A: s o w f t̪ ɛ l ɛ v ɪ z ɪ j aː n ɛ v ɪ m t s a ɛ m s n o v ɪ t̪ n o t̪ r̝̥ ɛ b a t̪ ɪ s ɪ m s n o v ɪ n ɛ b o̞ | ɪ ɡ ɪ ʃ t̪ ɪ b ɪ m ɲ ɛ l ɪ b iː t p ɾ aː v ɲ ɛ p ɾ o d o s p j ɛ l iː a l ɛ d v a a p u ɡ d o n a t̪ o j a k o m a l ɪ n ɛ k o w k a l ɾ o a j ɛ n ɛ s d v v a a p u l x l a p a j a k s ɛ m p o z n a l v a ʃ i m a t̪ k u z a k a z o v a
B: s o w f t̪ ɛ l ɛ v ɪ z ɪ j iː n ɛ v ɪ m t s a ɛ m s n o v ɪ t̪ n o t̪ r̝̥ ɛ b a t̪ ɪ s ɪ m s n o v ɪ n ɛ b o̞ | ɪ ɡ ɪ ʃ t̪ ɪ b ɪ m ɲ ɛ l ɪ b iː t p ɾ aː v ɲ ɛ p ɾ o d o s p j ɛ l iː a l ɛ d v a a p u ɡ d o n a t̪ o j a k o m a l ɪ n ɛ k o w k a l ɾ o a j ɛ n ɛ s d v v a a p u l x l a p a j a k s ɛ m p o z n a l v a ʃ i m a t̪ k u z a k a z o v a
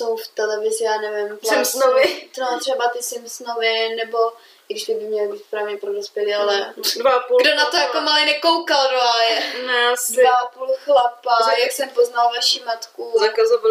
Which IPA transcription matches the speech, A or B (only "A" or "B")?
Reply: A